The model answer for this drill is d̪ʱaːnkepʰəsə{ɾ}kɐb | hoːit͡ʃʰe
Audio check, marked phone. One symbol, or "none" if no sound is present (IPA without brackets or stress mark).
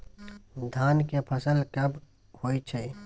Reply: l